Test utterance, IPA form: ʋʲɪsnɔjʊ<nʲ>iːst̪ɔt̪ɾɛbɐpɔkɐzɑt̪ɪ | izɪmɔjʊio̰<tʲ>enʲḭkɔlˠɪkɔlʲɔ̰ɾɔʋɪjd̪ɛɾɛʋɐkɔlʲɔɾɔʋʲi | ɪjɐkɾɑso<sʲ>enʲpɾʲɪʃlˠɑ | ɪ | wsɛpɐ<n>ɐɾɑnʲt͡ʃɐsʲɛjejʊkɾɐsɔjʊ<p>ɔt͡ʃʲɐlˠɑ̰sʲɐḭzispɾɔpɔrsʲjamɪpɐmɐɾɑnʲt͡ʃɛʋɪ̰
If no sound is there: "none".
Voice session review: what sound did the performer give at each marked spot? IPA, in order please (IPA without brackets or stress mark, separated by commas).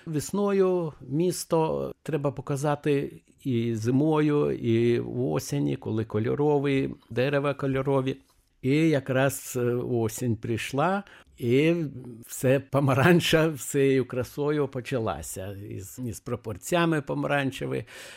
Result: mʲ, sʲ, sʲ, m, p